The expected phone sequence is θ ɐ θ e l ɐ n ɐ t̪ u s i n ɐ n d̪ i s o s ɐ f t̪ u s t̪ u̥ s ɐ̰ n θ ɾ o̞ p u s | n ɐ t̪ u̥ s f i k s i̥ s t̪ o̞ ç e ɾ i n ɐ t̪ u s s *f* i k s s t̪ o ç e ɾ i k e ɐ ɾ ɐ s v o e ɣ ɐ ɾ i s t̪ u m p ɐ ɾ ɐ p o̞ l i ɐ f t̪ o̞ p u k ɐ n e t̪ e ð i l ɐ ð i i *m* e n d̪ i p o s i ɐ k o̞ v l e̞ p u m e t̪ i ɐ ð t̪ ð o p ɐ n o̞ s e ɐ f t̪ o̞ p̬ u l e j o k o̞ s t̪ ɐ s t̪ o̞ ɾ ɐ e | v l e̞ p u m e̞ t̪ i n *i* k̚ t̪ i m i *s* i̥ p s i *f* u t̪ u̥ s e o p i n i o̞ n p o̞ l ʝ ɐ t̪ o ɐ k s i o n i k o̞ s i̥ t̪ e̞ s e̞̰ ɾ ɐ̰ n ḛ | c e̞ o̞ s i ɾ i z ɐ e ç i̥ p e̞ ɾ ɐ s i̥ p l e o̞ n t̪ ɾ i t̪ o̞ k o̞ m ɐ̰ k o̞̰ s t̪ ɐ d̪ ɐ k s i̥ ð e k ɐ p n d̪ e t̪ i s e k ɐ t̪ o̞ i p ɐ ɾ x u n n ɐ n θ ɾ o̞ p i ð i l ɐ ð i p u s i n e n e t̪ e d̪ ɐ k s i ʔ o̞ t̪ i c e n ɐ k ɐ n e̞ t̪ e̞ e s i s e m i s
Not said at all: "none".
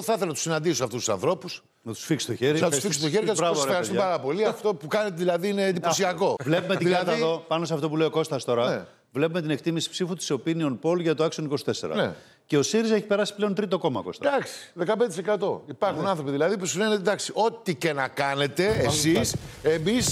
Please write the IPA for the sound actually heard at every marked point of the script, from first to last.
f, n, e, s, f

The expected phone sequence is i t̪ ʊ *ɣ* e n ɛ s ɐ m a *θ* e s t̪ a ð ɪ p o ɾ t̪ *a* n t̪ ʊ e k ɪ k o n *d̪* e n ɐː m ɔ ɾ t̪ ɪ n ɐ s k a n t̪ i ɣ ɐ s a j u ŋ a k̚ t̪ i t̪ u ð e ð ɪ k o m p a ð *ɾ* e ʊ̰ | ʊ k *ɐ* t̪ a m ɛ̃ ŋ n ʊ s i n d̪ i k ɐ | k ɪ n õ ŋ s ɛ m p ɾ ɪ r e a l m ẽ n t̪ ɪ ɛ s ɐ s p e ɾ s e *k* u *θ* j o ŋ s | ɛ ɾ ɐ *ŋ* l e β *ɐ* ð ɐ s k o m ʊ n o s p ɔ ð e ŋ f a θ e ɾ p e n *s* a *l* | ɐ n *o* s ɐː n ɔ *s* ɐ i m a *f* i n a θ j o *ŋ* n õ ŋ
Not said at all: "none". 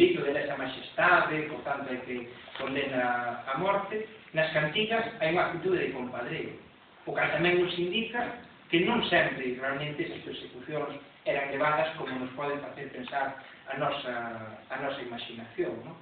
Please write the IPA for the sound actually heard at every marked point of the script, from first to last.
ð, ʃ, a, d̪, ɾ, a, k, θ, ŋ, a, s, ɾ, ɔ, s, ʃ, ŋ

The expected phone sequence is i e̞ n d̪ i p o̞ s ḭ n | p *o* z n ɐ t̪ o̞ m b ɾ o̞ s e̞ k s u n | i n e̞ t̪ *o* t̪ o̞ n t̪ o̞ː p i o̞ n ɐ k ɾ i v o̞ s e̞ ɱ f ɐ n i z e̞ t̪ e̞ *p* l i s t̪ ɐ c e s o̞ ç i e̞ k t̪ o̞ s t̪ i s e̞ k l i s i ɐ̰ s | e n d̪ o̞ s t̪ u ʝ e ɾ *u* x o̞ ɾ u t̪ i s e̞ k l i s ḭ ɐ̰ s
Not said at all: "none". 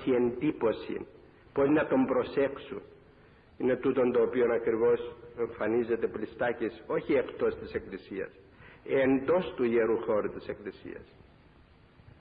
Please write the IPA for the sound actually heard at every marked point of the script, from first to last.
o, u, p, u

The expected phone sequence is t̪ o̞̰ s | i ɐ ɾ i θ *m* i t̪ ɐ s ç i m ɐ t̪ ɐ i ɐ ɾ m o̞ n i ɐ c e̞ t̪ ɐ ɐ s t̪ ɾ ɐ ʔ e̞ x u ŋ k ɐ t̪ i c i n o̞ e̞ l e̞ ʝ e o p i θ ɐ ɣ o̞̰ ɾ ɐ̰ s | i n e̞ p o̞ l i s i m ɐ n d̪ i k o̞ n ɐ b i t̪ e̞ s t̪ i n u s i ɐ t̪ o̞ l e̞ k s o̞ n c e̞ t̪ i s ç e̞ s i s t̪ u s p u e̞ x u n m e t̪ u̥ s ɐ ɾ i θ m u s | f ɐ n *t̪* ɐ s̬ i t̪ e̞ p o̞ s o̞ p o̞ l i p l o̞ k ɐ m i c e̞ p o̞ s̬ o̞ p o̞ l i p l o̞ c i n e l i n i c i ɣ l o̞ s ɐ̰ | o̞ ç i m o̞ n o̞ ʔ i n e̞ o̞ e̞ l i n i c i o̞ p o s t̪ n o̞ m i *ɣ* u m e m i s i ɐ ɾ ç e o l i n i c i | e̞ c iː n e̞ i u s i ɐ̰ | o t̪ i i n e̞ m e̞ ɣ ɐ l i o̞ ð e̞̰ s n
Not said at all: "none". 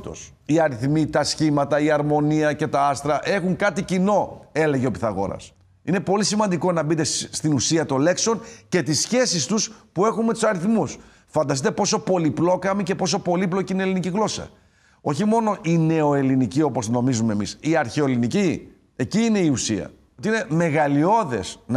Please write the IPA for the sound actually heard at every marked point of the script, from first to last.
m, d̪, z

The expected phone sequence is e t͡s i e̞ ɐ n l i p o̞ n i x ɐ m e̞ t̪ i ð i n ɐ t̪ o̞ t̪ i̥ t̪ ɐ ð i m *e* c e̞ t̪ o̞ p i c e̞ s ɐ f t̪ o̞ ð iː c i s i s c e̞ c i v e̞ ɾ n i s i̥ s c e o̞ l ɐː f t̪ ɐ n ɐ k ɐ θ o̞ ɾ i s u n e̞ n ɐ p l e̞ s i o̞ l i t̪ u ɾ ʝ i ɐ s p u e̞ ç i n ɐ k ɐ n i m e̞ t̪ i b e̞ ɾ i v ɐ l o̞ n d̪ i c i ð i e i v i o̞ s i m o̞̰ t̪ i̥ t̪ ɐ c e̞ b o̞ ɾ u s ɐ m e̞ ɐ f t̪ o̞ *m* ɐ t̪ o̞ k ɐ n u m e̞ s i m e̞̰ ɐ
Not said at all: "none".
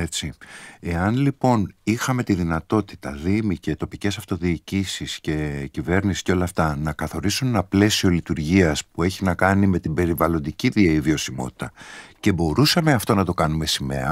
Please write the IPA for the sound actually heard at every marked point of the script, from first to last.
i, n

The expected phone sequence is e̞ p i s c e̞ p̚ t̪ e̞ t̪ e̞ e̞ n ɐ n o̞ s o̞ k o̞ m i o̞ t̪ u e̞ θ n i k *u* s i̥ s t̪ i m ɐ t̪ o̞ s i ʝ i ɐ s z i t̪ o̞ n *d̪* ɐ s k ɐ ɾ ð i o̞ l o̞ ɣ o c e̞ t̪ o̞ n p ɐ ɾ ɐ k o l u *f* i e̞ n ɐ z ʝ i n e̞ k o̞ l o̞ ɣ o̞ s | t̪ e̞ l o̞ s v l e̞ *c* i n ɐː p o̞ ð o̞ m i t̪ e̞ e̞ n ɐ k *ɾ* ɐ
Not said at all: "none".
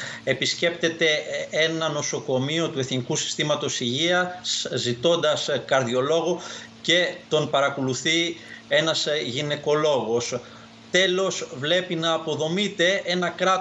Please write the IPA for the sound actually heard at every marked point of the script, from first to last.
u, d̪, θ, p, ɾ

